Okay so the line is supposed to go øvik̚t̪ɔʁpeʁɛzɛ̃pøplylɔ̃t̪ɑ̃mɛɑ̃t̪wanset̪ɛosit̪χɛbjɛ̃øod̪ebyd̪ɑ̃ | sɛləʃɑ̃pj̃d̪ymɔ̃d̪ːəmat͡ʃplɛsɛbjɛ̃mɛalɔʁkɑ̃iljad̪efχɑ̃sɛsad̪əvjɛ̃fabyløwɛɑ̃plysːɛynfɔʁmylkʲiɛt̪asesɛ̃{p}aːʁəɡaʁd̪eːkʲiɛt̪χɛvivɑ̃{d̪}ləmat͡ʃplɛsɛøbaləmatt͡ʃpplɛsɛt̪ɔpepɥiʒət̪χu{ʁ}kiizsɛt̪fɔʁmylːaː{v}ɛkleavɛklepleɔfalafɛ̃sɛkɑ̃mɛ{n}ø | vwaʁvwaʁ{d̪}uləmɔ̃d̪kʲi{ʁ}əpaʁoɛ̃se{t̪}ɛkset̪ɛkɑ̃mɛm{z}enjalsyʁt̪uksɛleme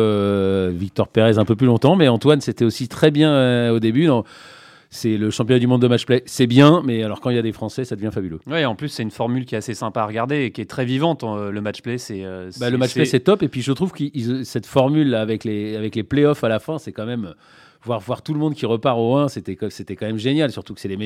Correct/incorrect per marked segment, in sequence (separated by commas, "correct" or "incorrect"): correct, incorrect, incorrect, correct, incorrect, incorrect, correct, correct, incorrect